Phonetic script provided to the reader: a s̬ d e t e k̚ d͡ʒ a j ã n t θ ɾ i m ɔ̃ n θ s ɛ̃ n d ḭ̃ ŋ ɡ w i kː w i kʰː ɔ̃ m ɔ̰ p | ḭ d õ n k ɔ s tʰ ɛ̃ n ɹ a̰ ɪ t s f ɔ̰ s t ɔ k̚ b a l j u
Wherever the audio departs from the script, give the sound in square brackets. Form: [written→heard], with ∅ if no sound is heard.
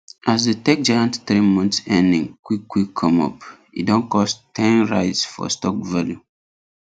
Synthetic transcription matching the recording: a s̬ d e t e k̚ d͡ʒ a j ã n t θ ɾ i m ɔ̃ n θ s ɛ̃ n d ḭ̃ ŋ [ɡ→k] w i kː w i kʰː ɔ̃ m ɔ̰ p | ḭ d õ n k ɔ s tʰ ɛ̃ n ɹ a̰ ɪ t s f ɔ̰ s t ɔ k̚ [b→v] a l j u